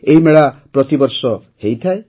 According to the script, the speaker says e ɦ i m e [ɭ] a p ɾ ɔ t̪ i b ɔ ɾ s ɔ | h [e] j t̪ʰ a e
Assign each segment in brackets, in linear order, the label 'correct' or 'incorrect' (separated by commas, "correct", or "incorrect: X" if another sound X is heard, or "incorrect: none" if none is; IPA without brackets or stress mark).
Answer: correct, correct